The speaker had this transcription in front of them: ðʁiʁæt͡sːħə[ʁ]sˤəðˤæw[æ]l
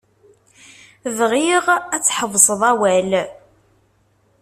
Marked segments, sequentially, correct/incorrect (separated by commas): incorrect, correct